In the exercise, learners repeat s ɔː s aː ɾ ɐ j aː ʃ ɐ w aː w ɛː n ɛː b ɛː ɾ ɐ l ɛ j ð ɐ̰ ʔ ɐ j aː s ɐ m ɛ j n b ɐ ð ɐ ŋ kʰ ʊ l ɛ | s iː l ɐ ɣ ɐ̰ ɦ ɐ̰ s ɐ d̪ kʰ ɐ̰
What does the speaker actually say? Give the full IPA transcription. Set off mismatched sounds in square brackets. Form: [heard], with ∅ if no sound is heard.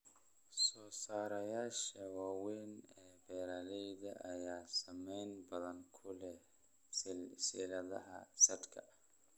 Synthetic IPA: s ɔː s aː ɾ ɐ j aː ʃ ɐ w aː w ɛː n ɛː b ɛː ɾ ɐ l ɛ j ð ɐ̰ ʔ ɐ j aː s ɐ m ɛ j n b ɐ ð ɐ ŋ kʰ ʊ l ɛ | s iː l ɐ [ð] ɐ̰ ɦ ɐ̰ s ɐ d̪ kʰ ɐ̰